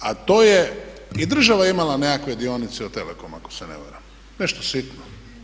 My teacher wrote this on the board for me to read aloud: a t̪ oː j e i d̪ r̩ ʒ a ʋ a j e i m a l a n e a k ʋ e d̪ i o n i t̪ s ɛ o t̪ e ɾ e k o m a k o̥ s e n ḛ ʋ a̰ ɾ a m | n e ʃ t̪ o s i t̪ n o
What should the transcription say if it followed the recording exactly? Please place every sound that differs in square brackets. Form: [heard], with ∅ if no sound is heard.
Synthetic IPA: a t̪ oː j e i d̪ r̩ ʒ a ʋ a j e i m a l a n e a k ʋ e d̪ i o n i t̪ s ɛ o t̪ e [l] e k o m a k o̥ s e n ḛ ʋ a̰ ɾ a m | n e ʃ t̪ o s i t̪ n o